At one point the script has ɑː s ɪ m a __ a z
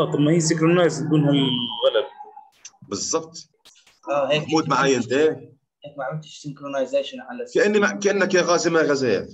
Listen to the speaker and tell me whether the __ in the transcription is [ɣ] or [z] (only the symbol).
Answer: ɣ